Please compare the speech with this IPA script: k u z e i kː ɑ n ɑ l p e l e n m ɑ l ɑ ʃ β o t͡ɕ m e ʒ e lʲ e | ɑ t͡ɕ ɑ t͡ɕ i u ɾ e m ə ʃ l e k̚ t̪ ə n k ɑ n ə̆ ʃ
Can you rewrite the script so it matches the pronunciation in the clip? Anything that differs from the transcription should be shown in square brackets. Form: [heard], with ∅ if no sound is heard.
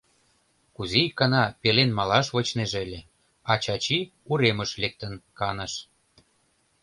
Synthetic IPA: k u z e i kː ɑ n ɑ [∅] p e l e n m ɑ l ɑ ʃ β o t͡ɕ [n] e ʒ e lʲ e | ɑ t͡ɕ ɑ t͡ɕ i u ɾ e m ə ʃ l e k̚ t̪ ə n k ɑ n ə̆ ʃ